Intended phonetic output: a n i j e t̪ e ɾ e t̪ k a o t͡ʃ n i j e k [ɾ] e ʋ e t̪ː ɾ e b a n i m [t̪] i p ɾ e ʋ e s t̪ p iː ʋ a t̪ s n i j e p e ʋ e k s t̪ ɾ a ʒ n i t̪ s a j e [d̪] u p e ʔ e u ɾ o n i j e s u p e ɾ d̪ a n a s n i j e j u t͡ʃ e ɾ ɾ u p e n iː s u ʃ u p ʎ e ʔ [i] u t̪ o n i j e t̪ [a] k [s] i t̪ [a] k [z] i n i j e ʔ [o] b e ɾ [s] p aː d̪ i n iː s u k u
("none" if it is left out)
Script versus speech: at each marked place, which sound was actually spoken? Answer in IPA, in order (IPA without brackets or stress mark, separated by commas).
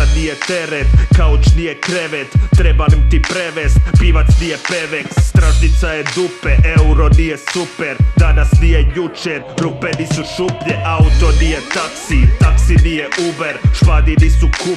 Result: ɾ, t̪, d̪, a, a, s, a, s, u, ʃ